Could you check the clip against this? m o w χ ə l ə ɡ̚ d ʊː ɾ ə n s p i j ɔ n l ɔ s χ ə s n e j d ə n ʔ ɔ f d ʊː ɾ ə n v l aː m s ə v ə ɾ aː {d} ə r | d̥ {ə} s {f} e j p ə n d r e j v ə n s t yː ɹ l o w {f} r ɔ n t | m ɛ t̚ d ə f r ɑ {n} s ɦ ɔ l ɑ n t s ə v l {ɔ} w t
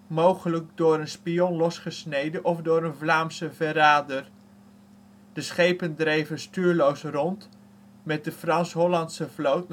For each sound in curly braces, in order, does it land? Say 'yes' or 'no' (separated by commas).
yes, yes, no, no, yes, no